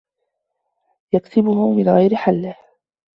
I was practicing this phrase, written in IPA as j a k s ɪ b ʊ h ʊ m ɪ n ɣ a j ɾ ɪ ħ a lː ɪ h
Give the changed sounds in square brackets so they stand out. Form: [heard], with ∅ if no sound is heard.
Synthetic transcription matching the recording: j a k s ɪ b ʊ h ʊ m ɪ n ɣ a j ɾ ɪ ħ a lː ɪ h

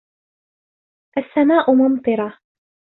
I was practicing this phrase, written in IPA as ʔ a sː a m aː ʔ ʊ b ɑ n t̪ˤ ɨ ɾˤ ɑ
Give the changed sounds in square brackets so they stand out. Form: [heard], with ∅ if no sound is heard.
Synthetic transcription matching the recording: ʔ a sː a m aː ʔ ʊ [m] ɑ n t̪ˤ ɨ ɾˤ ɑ

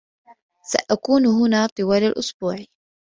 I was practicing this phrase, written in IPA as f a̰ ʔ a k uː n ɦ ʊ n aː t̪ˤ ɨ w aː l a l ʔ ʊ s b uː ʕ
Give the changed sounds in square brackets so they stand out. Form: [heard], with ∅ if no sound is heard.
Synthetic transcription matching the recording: [s] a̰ ʔ a k uː n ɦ ʊ n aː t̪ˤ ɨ w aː l a l ʔ ʊ s b uː ʕ

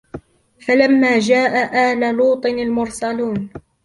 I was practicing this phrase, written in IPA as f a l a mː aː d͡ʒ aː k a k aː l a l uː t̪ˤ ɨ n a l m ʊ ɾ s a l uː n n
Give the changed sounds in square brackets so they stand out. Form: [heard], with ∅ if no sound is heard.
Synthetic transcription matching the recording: f a l a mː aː d͡ʒ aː [ʔ] a [ʔ] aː l a l uː t̪ˤ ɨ n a l m ʊ ɾ s a l uː n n

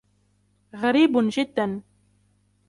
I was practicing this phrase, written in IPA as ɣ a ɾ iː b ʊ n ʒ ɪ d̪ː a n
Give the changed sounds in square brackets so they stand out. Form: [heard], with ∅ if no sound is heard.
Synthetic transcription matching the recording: ɣ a ɾ iː b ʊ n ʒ ɪ d̪ː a n

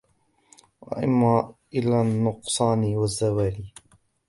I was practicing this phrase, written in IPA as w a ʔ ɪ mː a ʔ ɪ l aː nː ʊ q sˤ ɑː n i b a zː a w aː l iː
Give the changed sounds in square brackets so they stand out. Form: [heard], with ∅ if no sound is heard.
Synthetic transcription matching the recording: w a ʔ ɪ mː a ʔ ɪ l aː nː ʊ q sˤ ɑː n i [w] a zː a w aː l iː

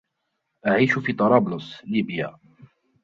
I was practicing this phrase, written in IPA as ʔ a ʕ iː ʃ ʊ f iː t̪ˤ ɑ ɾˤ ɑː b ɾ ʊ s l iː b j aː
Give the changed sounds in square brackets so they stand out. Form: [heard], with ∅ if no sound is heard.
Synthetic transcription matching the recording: ʔ a ʕ iː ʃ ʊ f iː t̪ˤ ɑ ɾˤ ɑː b [l] ʊ s l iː b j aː

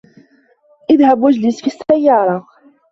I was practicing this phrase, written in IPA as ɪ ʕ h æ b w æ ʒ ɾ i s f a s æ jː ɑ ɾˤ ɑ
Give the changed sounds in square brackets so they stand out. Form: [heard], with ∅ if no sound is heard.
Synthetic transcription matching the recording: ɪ [ð] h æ b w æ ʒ [l] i s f [i] s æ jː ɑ ɾˤ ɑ

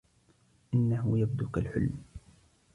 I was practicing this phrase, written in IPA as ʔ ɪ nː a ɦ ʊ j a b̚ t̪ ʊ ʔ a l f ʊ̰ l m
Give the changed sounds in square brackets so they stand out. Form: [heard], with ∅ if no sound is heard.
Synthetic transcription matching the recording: ʔ ɪ nː a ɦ ʊ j a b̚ [d̪] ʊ [k] a l [ħ] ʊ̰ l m

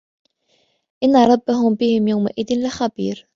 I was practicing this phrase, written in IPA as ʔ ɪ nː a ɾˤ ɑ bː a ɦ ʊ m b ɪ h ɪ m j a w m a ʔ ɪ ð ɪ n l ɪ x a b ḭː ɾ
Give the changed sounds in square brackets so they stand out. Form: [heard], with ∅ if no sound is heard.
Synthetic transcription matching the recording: ʔ ɪ nː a ɾˤ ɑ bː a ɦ ʊ m b ɪ h ɪ m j a w m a ʔ ɪ ð ɪ n l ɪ x a b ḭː ɾ

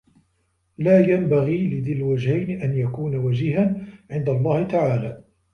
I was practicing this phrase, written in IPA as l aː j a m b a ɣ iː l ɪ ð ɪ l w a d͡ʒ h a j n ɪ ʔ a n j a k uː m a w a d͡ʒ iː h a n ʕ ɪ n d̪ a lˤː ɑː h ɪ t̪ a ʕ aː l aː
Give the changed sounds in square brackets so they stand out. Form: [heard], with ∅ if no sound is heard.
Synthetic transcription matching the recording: l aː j a m b a ɣ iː l ɪ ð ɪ l w a d͡ʒ h a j n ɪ ʔ a n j a k uː [n] a w a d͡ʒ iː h a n ʕ ɪ n d̪ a lˤː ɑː h ɪ t̪ a ʕ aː l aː

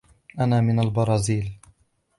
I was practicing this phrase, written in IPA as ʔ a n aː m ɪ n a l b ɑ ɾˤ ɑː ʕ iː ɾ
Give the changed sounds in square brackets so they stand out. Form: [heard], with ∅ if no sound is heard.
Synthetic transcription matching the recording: ʔ a n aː m ɪ n a l b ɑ ɾˤ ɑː [z] iː [l]

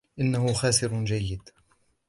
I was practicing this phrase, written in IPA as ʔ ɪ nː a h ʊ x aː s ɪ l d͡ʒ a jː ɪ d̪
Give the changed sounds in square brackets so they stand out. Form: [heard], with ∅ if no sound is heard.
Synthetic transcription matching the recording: ʔ ɪ nː a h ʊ x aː s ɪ [ɾ] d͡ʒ a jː ɪ d̪

